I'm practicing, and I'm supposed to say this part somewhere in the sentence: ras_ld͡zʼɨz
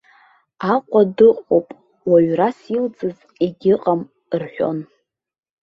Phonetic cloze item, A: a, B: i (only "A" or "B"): B